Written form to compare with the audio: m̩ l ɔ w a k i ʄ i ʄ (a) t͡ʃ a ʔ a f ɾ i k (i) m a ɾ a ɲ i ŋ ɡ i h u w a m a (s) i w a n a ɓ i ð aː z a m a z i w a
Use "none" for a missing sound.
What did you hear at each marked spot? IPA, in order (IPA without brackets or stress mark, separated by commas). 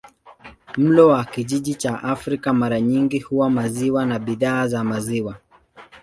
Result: i, a, z